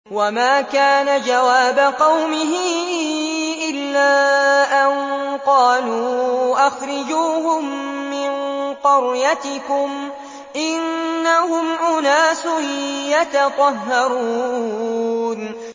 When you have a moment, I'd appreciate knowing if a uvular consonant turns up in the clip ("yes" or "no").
yes